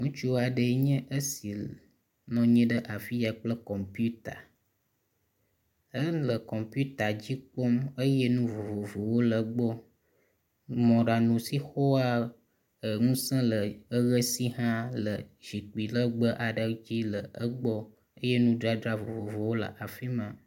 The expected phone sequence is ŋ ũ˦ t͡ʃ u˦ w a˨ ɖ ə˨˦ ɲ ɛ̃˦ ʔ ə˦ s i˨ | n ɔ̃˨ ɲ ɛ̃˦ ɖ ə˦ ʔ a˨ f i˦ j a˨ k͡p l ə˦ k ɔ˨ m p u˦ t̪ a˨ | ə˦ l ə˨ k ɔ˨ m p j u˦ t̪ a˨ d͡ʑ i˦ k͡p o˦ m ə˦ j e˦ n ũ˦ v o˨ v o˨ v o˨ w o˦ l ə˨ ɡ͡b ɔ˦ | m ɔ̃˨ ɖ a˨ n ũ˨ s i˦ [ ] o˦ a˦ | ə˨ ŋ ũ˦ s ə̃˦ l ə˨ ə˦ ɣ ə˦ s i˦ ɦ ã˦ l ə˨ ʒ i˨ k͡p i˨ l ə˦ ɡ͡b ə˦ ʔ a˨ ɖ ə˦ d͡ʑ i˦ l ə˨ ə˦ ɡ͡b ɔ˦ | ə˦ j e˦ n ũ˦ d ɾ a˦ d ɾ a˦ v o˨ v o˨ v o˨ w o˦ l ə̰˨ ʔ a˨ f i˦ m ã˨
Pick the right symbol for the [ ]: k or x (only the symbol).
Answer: x